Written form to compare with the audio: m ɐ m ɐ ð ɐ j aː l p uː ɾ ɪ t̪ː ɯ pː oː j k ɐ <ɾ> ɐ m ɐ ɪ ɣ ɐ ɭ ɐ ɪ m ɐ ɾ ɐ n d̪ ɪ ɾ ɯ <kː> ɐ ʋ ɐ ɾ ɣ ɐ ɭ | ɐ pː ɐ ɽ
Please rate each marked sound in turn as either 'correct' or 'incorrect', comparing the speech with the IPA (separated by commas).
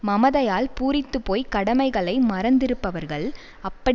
incorrect, incorrect